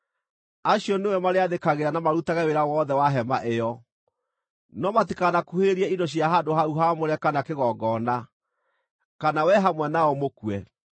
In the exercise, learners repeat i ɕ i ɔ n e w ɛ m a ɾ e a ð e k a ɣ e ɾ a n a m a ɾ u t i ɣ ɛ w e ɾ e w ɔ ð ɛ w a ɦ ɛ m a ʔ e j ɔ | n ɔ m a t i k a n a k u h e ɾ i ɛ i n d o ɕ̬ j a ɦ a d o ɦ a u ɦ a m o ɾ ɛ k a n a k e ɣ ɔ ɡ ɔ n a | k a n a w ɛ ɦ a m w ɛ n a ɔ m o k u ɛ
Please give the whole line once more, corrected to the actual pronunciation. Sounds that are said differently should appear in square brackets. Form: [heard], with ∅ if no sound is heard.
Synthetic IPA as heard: [a] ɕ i ɔ n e w ɛ m a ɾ e a ð e k a ɣ e ɾ a n a m a ɾ u t [a] ɣ ɛ w e ɾ [a] w ɔ ð ɛ w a ɦ ɛ m a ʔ e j ɔ | n ɔ m a t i k a n a k u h e ɾ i ɛ i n d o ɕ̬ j a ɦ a d o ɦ a u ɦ a m o ɾ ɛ k a n a k e ɣ ɔ ɡ ɔ n a | k a n a w ɛ ɦ a m w ɛ n a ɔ m o k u ɛ